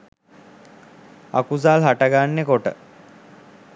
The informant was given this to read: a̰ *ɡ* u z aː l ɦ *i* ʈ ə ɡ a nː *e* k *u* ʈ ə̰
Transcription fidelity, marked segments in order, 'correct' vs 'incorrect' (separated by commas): incorrect, incorrect, correct, incorrect